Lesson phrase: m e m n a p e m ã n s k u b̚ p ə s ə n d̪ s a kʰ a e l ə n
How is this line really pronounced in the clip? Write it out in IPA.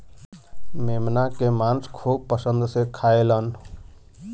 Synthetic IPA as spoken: m e m n a k e m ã n s kʰ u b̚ p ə s ə n d̪ s e kʰ a e l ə n